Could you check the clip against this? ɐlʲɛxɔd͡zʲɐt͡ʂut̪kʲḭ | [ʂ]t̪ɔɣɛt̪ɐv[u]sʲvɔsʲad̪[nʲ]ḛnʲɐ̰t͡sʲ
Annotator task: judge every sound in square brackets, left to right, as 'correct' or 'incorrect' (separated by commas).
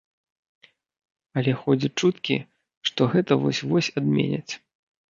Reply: correct, incorrect, incorrect